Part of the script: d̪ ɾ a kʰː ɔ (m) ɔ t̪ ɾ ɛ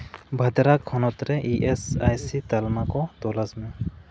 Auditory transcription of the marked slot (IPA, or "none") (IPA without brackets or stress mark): n